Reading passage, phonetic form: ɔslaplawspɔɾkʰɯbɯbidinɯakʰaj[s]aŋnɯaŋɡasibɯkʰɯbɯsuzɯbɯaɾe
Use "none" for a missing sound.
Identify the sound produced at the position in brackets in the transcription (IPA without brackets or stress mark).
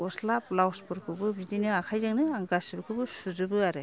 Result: z